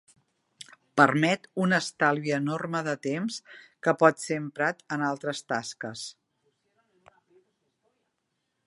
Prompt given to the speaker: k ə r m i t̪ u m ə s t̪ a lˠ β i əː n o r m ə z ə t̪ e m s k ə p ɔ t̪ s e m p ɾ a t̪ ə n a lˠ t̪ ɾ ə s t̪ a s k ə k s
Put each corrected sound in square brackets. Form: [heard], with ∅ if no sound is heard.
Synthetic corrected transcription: [p] ə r m [ɛ] t̪ u [n] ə s t̪ a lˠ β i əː n o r m ə [ð] ə t̪ e m s k ə p ɔ t̪ s e m p ɾ a t̪ ə n a lˠ t̪ ɾ ə s t̪ a s k ə [∅] s